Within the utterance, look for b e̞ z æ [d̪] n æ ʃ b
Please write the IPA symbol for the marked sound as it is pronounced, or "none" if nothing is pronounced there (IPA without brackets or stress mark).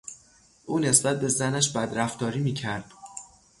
none